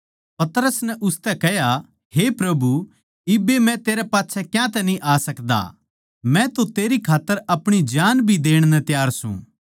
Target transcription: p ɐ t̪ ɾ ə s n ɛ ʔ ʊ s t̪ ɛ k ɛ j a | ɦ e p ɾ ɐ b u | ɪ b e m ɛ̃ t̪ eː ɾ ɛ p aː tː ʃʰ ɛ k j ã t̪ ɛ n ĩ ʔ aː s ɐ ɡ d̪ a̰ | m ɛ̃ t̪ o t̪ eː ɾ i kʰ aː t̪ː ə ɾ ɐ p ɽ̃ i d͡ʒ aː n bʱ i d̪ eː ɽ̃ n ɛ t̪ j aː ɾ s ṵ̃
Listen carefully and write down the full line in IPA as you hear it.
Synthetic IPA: p ɐ t̪ ɾ ə s n ɛ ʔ ʊ s t̪ ɛ k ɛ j a | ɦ e p ɾ ɐ b u | ɪ b e m ɛ̃ t̪ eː ɾ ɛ p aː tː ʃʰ ɛ k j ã t̪ ɛ n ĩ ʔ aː s ɐ k d̪ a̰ | m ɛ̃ t̪ o t̪ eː ɾ i kʰ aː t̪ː ə ɾ ɐ p ɽ̃ i d͡ʒ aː n bʱ i d̪ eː ɽ̃ n ɛ t̪ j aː ɾ s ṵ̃